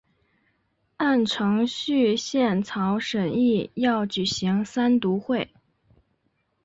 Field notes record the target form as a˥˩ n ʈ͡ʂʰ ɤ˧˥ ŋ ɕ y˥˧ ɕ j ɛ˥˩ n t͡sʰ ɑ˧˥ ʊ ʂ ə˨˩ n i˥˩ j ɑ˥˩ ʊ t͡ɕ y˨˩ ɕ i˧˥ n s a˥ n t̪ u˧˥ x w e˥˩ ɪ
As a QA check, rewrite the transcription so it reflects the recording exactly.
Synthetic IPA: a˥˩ n ʈ͡ʂʰ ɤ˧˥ ŋ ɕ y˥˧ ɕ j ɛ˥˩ n t͡sʰ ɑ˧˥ ʊ ʂ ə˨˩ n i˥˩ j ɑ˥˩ ʊ t͡ɕ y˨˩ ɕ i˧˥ ŋ s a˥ n t̪ u˧˥ x w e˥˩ ɪ